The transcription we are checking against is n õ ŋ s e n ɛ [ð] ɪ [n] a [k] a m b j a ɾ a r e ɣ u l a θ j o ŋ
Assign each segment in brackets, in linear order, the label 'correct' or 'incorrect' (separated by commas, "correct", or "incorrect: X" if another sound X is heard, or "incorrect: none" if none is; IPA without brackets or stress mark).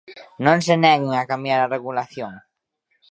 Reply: incorrect: ɣ, incorrect: ŋ, correct